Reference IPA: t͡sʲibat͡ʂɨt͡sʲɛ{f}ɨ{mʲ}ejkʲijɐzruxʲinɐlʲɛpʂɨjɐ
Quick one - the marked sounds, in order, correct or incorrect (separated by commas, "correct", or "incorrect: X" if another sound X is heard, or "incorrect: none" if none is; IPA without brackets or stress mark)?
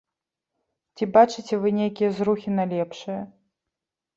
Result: incorrect: v, incorrect: nʲ